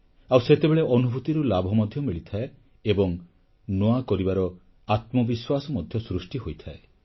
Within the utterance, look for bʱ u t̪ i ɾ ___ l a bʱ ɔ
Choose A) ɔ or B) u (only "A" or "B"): B